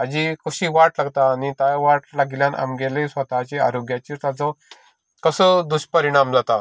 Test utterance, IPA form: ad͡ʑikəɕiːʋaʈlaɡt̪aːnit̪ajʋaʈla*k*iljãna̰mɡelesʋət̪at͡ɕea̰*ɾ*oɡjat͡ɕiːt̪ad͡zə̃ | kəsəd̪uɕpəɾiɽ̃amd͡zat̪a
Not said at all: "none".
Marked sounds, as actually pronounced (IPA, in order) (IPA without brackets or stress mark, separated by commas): ɡ, ɾ